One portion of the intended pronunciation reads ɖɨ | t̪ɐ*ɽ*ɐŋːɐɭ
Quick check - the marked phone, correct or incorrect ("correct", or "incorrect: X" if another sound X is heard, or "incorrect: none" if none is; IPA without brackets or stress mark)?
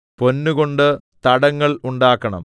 correct